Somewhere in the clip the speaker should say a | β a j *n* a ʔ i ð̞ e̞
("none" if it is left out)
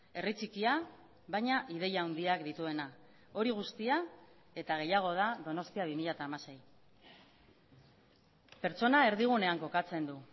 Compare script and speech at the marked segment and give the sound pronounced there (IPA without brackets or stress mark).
ɲ